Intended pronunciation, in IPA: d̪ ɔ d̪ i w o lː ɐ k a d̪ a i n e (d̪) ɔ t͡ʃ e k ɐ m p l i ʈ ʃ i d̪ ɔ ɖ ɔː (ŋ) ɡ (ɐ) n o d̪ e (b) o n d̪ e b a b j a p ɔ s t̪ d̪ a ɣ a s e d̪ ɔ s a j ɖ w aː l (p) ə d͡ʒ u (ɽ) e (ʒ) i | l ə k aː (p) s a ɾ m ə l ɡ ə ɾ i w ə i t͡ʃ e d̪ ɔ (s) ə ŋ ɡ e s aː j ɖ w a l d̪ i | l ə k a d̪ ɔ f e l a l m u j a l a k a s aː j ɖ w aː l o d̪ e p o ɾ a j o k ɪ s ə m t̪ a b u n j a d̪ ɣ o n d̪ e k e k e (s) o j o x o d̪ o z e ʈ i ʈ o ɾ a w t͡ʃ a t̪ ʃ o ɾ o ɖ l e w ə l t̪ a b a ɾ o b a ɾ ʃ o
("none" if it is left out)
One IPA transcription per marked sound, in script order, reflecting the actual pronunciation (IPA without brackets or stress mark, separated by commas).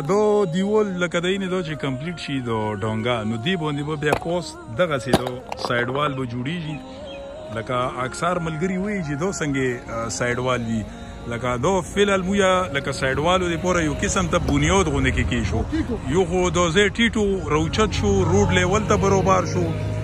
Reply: d̪, ŋ, a, b, b, ɽ, ʒ, k, s, ʃ